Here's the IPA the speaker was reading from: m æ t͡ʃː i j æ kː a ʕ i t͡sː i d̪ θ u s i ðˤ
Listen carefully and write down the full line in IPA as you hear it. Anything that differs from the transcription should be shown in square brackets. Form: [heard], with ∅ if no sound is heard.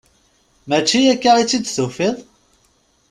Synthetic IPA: m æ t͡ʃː i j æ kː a [ʁ] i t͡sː i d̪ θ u [f] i ðˤ